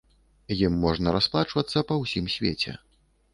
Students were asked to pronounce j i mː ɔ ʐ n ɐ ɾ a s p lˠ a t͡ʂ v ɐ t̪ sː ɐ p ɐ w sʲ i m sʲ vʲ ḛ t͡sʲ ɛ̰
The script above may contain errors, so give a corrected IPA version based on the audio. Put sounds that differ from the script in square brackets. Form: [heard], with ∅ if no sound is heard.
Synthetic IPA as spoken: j i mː ɔ ʐ n ɐ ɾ a s p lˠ a t͡ʂ v ɐ t̪ sː ɐ p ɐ w sʲ i m sʲ vʲ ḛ t͡sʲ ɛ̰